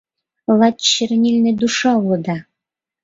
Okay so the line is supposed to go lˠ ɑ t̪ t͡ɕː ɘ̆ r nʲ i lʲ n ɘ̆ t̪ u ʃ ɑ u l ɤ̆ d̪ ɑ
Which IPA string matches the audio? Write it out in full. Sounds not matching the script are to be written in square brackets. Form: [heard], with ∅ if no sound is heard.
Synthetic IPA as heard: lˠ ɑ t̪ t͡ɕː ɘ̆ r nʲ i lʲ n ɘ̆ [d̪] u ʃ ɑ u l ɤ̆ d̪ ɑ